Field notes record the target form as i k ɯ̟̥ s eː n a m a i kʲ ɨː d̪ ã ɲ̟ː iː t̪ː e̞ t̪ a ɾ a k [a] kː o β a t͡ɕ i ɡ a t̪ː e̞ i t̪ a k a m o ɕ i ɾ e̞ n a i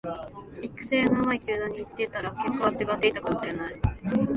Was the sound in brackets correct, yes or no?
no